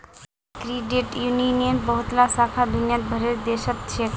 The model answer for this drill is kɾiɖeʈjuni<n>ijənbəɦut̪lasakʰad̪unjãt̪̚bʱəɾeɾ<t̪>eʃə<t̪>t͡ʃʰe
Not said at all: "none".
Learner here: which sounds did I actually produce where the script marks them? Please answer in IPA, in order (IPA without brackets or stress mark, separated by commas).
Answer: n, d̪, t̪